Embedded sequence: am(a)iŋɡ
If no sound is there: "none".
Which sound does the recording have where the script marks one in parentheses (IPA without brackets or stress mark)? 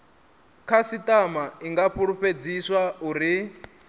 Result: a